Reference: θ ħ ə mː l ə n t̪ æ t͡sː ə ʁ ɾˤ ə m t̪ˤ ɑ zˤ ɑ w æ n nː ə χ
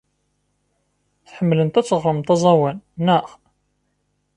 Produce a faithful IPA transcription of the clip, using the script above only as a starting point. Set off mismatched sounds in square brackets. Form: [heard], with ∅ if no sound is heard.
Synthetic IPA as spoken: θ ħ ə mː l ə n t̪ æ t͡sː ə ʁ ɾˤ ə m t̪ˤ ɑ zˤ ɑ w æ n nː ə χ